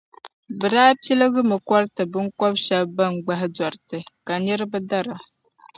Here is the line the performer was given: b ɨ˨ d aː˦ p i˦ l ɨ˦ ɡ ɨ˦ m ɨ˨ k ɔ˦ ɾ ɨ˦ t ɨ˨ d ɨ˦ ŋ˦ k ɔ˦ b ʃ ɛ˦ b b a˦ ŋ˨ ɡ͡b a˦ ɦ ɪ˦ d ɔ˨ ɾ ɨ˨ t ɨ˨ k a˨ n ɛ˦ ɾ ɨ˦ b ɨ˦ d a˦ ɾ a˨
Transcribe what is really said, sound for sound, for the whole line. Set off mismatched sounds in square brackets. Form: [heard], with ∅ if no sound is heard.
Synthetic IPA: b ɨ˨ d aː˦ p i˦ l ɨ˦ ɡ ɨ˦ m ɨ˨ k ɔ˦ ɾ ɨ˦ t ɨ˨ [b] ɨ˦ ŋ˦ k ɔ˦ b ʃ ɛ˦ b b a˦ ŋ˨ ɡ͡b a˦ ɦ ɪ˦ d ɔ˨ ɾ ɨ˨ t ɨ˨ k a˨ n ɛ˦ ɾ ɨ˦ b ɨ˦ d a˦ ɾ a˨